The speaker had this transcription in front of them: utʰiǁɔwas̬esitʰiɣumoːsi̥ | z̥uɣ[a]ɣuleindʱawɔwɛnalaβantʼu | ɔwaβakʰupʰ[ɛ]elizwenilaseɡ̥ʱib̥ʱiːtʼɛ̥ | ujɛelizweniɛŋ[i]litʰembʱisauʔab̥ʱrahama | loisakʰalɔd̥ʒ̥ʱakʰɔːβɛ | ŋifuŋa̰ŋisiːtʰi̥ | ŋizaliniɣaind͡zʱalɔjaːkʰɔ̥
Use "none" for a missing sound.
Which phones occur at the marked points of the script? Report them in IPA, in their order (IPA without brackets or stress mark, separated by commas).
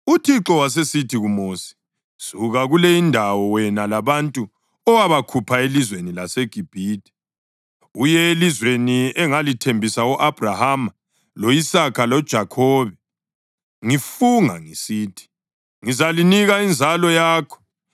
a, a, a